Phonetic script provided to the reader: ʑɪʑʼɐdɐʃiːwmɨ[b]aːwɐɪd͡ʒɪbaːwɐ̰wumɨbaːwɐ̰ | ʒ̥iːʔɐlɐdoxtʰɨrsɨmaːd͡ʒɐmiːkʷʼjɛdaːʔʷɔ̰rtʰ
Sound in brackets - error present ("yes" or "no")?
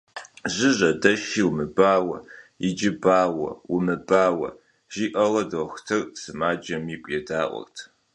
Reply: no